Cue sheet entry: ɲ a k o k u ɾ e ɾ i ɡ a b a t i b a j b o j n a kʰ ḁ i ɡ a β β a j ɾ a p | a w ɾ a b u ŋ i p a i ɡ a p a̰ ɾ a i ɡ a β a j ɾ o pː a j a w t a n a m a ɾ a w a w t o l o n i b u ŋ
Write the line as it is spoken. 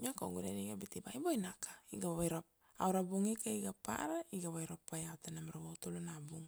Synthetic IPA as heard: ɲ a k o ɡ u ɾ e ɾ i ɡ a b i t i b a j b o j n a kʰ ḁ i ɡ a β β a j ɾ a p | a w ɾ a b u ŋ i k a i ɡ a p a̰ ɾ a i ɡ a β a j ɾ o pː a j a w t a n a m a ɾ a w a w t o l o n a b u ŋ